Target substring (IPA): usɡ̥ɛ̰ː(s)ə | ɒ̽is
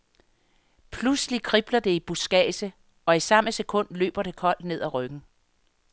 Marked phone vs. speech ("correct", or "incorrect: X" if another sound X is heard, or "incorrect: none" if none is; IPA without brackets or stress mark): correct